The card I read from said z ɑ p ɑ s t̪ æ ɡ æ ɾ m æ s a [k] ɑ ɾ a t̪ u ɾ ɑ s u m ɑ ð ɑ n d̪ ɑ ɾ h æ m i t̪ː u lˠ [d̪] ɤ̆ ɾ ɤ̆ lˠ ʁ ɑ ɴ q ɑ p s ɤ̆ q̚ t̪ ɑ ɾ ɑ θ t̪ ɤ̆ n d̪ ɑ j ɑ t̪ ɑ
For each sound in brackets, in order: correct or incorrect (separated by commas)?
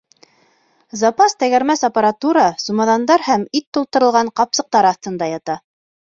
incorrect, incorrect